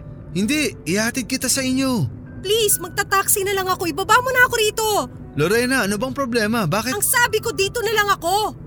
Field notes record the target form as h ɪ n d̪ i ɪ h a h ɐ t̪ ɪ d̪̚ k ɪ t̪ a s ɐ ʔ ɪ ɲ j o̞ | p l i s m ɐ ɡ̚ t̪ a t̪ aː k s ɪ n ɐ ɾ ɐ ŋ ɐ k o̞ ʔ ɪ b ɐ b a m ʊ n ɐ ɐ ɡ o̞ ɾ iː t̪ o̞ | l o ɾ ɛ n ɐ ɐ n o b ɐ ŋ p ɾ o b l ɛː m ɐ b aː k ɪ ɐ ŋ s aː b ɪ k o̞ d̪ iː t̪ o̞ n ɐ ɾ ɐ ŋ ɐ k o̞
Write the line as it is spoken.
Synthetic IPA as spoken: h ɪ n d̪ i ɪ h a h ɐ t̪ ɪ d̪̚ k ɪ t̪ a s ɐ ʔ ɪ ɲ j o̞ | p l i s m ɐ ɡ̚ t̪ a t̪ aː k s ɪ n ɐ l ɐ ŋ ɐ k o̞ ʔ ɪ b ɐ b a m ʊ n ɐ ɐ k o̞ ɾ iː t̪ o̞ | l o ɾ ɛ n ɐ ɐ n o b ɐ ŋ p ɾ o b l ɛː m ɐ b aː k ɪ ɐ ŋ s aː b ɪ k o̞ d̪ iː t̪ o̞ n ɐ l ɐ ŋ ɐ k o̞